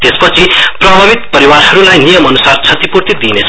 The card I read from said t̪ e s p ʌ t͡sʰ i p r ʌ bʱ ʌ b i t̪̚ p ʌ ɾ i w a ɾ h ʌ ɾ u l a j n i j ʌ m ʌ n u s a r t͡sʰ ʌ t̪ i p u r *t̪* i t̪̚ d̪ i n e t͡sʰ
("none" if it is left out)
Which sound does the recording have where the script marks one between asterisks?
t̪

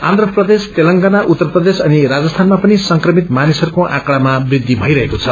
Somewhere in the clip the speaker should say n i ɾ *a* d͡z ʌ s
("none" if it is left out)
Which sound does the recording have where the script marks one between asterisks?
a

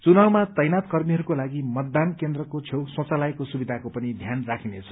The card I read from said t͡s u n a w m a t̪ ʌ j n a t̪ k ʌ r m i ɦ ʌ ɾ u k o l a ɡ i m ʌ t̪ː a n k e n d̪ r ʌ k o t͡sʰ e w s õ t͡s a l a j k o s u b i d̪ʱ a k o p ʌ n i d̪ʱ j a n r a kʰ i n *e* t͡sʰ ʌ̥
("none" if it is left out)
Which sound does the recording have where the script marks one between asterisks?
e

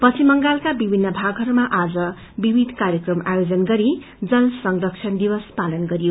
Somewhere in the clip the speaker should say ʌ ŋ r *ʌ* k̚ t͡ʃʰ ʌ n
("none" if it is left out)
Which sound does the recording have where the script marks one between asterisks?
ʌ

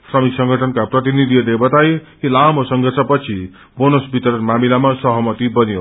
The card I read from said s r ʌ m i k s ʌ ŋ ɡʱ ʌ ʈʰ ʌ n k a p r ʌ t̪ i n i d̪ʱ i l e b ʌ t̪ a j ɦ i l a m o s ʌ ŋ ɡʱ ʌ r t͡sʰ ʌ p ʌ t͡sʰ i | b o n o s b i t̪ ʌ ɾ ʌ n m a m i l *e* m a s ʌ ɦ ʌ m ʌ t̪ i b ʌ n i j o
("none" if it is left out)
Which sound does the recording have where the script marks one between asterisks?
a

